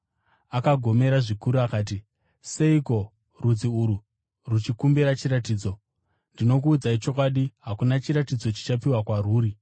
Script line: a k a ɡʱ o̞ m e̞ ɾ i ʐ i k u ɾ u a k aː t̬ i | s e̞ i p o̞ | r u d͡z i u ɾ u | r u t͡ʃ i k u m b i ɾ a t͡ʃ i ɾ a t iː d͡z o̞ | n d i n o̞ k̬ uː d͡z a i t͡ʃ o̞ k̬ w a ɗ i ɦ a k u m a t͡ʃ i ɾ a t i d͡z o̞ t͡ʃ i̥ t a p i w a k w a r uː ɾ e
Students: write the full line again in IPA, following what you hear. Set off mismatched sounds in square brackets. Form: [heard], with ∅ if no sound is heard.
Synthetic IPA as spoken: a k a ɡʱ o̞ m e̞ ɾ [a] ʐ i k u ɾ u a k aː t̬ i | s e̞ i [k] o̞ | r u d͡z i u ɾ u | r u t͡ʃ i k u m b i ɾ a t͡ʃ i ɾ a t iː d͡z o̞ | n d i n o̞ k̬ uː d͡z a i t͡ʃ o̞ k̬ w a ɗ i ɦ a k u [n] a t͡ʃ i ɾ a t i d͡z o̞ t͡ʃ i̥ [t͡ʃ] a p i w a k w a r uː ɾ [i]

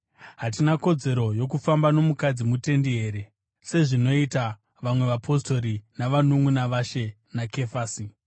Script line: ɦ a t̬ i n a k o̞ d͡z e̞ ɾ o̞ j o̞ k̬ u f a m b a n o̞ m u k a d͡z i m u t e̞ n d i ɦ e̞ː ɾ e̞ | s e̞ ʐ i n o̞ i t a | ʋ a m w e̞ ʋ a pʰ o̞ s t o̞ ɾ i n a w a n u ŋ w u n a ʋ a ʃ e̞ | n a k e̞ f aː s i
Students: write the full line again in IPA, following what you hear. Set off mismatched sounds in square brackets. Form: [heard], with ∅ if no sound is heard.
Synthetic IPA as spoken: ɦ a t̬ i n a k o̞ d͡z e̞ ɾ o̞ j o̞ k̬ u f a m b a n o̞ m u k a d͡z i m u t e̞ n d i ɦ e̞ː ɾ e̞ | s e̞ ʐ i n o̞ i t a | ʋ a m w e̞ ʋ a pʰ o̞ s t o̞ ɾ i n a [ʋ] a n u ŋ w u n a ʋ a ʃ e̞ | n a k e̞ f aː s i

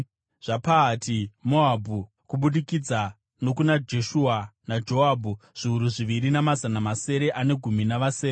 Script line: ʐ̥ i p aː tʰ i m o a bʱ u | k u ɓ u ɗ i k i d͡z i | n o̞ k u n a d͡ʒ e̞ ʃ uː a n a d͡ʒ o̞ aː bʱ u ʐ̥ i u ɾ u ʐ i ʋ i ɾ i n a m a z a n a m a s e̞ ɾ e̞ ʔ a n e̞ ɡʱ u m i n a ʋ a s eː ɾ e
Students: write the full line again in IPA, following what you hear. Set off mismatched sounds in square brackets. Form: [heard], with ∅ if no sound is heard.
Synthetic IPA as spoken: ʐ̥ [a] p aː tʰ i m o a bʱ u | k u ɓ u ɗ i k i d͡z [a] | n o̞ k u n a d͡ʒ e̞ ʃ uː a n a d͡ʒ o̞ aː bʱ u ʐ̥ i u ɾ u ʐ i ʋ i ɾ i n a m a z a n a m a s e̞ ɾ e̞ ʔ a n e̞ ɡʱ u m i n a ʋ a s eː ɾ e

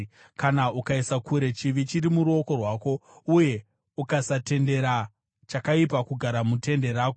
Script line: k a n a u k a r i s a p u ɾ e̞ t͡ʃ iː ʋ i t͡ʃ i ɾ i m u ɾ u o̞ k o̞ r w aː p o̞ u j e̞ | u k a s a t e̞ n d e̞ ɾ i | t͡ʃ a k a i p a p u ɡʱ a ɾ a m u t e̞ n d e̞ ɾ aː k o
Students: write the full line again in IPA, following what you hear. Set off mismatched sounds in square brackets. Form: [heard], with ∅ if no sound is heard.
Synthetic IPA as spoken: k a n a u k a [∅] i s a [k] u ɾ e̞ t͡ʃ [i] ʋ i t͡ʃ i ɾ i m u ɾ u o̞ k o̞ r w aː [k] o̞ u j e̞ | u k a s a t e̞ n d e̞ ɾ [a] | t͡ʃ a k a i p a [k] u ɡʱ a ɾ a m u t e̞ n d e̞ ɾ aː k o

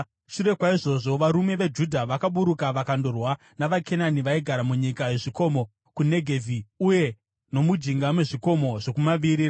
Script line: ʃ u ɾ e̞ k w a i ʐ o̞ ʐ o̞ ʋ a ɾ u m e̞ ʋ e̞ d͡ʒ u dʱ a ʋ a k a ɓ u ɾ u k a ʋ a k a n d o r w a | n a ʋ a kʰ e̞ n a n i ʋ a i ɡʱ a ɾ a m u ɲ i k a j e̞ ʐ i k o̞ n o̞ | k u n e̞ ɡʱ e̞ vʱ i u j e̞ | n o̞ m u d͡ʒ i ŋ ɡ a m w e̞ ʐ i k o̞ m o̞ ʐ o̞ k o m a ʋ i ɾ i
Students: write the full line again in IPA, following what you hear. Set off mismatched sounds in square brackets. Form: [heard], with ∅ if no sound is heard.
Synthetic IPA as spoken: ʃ u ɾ e̞ k w a i ʐ o̞ ʐ o̞ ʋ a ɾ u m e̞ ʋ e̞ d͡ʒ u dʱ a ʋ a k a ɓ u ɾ u k a ʋ a k a n d o r w a | n a ʋ a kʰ e̞ n a n i ʋ a i ɡʱ a ɾ a m u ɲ i k a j e̞ ʐ i k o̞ [m] o̞ | k u n e̞ ɡʱ e̞ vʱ i u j e̞ | n o̞ m u d͡ʒ i ŋ ɡ a m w e̞ ʐ i k o̞ m o̞ ʐ o̞ k [u] m a ʋ i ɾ i

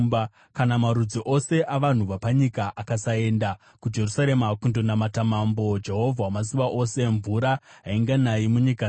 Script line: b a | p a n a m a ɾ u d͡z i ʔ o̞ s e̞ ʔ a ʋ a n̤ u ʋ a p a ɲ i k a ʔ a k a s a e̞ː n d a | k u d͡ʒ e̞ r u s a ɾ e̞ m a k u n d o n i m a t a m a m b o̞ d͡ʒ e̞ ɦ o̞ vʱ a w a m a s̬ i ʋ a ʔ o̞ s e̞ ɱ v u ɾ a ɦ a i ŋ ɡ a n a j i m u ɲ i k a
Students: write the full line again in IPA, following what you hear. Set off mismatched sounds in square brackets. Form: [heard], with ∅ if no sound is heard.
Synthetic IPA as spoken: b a | [k] a n a m a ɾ u d͡z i ʔ o̞ s e̞ ʔ a ʋ a n̤ u ʋ a p a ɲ i k a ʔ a k a s a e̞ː n d a | k u d͡ʒ e̞ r u s a ɾ e̞ m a k u n d o n [a] m a t a m a m b o̞ d͡ʒ e̞ ɦ o̞ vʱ a w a m a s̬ i ʋ a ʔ o̞ s e̞ ɱ v u ɾ a ɦ a i ŋ ɡ a n a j i m u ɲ i k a

